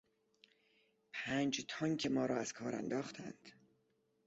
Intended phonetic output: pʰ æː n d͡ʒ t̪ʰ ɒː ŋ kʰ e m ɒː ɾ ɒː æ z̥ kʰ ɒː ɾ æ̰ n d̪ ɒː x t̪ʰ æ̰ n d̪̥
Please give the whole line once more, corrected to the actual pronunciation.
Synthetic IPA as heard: pʰ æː n d͡ʒ t̪ʰ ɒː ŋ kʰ e m ɒː ɾ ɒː æ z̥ kʰ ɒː ɾ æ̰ n d̪ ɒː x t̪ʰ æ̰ n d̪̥